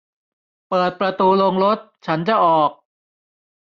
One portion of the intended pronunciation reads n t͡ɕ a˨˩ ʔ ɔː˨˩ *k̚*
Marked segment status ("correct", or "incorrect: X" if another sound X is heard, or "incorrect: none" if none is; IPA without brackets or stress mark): correct